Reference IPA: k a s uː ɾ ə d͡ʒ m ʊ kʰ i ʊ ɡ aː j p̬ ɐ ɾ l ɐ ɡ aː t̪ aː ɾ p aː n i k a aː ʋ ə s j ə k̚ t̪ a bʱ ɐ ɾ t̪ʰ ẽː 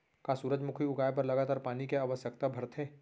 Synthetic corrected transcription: k a s uː ɾ ə d͡ʒ m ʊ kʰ i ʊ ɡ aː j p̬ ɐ ɾ l ɐ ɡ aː t̪ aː ɾ p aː n i k e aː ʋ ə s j ə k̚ t̪ a bʱ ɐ ɾ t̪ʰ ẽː